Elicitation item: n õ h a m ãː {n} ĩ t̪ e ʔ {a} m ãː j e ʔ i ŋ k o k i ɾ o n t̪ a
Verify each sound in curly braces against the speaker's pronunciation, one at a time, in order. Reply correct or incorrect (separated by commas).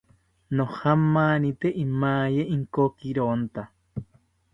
correct, incorrect